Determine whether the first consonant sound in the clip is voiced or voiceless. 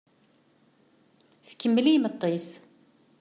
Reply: voiceless